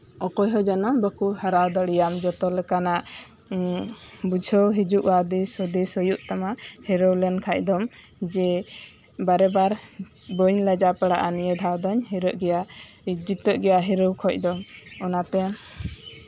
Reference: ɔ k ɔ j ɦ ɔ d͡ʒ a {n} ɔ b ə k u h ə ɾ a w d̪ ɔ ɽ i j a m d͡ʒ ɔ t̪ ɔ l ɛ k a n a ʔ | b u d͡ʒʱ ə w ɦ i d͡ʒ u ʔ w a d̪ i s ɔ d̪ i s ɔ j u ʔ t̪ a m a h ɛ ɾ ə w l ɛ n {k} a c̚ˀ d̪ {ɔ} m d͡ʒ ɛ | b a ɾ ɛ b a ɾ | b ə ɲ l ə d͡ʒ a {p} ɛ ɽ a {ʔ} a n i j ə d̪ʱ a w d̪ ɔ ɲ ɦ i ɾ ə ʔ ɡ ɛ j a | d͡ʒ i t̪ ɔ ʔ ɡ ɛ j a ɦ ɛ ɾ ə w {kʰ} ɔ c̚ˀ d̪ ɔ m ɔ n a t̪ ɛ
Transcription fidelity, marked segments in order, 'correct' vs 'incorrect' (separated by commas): correct, incorrect, correct, correct, correct, correct